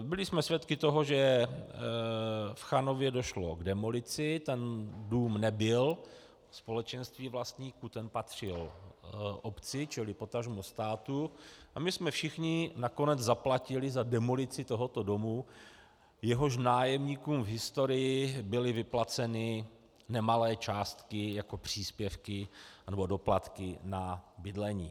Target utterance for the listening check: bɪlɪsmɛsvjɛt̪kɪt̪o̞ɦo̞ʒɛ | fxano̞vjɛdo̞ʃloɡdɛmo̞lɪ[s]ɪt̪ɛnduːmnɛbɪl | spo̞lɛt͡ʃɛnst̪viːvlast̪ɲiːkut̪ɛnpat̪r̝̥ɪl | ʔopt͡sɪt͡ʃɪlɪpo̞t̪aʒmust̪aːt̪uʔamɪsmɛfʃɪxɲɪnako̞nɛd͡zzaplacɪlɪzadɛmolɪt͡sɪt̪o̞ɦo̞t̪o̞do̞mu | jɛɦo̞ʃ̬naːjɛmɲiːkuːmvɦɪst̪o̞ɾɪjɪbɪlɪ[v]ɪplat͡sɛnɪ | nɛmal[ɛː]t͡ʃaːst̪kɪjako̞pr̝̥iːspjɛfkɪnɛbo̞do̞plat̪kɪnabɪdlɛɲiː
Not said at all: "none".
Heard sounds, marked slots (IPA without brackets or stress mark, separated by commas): t͡s, v, ɛː